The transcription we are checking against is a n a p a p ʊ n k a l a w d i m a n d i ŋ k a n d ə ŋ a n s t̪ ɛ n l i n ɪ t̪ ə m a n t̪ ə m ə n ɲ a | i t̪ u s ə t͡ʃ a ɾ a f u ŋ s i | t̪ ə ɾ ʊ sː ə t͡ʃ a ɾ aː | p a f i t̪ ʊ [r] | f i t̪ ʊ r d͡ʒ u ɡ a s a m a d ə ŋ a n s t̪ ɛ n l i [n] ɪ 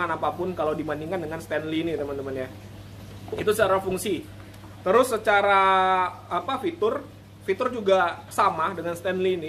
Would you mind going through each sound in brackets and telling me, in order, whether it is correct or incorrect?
correct, correct

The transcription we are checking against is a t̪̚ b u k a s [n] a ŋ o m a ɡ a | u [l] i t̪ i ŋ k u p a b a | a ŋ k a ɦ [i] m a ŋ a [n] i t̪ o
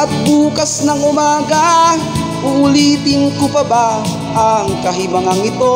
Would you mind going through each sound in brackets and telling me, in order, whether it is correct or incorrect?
correct, correct, correct, incorrect: ŋ

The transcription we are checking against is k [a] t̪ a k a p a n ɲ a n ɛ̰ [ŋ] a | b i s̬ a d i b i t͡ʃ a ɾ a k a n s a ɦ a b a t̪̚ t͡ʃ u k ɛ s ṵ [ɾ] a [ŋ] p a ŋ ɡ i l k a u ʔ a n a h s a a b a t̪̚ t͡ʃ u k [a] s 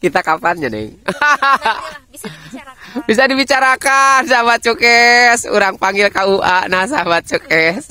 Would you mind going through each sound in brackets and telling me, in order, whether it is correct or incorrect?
incorrect: i, correct, correct, correct, incorrect: ɛ

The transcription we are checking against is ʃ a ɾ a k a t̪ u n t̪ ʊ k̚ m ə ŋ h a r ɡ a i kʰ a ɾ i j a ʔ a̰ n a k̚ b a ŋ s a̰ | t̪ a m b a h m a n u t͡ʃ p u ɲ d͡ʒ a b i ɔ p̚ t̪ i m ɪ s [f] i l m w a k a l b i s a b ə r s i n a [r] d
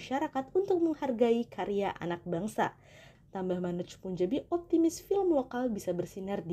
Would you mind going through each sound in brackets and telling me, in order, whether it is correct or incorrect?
correct, correct

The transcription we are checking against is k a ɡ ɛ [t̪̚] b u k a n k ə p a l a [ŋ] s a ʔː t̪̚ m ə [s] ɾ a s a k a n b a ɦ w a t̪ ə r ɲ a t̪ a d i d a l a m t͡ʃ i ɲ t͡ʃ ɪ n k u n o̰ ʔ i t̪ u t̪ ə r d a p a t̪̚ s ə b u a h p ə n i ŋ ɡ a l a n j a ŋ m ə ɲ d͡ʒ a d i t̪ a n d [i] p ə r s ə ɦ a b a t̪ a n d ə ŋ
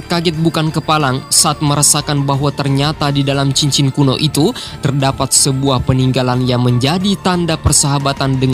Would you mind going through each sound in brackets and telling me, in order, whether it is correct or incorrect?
correct, correct, incorrect: none, incorrect: a

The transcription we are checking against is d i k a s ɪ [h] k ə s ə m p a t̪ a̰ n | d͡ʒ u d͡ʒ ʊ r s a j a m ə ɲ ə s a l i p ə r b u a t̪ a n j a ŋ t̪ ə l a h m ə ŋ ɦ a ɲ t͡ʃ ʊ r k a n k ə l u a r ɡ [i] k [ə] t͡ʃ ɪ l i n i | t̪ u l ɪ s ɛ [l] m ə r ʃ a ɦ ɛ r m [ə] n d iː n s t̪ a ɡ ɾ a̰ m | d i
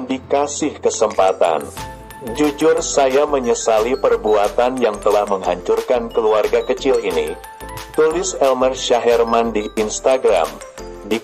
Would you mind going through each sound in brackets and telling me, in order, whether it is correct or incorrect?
correct, incorrect: a, correct, correct, incorrect: a

